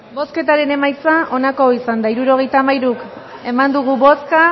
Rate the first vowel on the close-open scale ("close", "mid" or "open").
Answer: mid